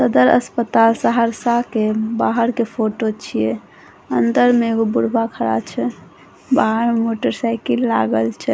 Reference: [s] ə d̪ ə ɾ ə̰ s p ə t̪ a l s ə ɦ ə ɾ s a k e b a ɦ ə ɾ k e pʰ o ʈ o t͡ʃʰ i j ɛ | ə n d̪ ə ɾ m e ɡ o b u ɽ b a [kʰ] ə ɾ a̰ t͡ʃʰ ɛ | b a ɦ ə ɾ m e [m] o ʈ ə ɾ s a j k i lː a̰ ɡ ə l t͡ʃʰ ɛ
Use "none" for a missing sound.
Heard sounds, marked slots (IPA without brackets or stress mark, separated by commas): s, kʰ, m